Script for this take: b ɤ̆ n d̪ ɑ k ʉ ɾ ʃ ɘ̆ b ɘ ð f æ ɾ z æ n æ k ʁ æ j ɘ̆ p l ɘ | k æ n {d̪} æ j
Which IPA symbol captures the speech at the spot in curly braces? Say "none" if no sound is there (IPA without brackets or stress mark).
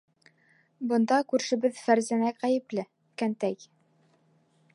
t̪